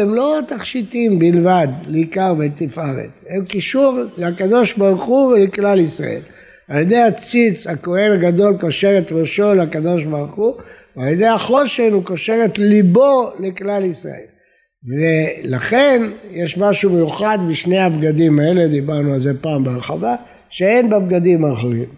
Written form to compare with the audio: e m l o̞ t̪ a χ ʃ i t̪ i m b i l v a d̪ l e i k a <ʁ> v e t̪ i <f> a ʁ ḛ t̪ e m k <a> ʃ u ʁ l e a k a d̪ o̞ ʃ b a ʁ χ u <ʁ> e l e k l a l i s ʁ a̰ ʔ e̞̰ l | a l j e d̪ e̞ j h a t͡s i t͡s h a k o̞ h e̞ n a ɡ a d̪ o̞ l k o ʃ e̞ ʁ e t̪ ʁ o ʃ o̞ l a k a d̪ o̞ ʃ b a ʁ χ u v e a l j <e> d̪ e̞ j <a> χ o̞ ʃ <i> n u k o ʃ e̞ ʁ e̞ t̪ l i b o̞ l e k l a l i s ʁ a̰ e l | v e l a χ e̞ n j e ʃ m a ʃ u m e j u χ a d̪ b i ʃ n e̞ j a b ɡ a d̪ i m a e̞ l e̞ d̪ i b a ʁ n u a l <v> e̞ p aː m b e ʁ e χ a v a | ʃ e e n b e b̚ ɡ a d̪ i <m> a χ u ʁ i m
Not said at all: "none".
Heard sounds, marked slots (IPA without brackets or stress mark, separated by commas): ʁ, f, i, v, e, a, e, z, m